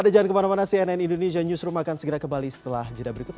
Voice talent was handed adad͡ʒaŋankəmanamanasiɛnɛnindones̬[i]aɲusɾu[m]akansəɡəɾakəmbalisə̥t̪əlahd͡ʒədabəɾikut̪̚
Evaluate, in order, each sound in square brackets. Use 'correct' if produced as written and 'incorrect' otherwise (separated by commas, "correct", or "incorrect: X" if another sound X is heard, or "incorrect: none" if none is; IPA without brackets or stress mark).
correct, correct